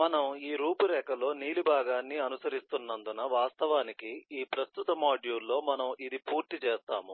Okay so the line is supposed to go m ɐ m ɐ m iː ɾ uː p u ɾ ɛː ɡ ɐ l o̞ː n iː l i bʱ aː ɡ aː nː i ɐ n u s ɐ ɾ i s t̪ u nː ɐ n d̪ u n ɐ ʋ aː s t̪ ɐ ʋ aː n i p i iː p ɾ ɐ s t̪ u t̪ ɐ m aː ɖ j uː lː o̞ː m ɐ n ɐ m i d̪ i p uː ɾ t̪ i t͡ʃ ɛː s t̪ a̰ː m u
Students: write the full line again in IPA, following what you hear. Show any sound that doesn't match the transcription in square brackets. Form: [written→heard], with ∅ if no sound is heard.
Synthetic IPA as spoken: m ɐ [m→n] ɐ m iː ɾ uː p u ɾ ɛː [ɡ→k] ɐ l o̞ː n iː l i bʱ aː ɡ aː nː i ɐ n u s ɐ ɾ i s t̪ u nː ɐ n d̪ u n ɐ ʋ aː s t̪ ɐ ʋ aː n i [p→k] i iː p ɾ ɐ s t̪ u t̪ ɐ m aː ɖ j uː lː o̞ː m ɐ n ɐ m i d̪ i p uː ɾ t̪ i t͡ʃ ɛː s t̪ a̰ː m u